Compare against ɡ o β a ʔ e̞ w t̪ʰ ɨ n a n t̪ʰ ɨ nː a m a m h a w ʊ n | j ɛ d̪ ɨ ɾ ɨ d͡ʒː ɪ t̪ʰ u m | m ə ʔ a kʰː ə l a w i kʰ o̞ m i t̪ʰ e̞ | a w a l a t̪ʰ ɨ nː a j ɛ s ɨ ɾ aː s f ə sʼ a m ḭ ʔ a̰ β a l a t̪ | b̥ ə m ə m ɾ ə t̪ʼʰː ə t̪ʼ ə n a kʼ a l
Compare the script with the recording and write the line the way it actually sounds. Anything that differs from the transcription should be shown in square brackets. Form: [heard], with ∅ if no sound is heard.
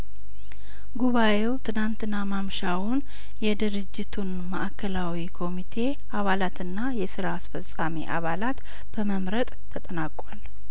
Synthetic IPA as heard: ɡ [u] β a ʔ e̞ w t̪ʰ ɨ n a n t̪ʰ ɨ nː a m a m [ʃ] a w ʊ n | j ɛ d̪ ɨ ɾ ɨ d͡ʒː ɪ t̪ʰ u [n] | m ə ʔ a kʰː ə l a w i kʰ o̞ m i t̪ʰ e̞ | a [β] a l a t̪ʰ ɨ nː a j ɛ s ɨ ɾ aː s f ə sʼ a m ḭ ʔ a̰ β a l a t̪ | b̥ ə m ə m ɾ ə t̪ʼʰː ə t̪ʼ ə n a kʼ a l